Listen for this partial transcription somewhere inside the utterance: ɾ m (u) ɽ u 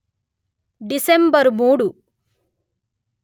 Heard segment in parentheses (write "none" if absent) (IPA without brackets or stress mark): uː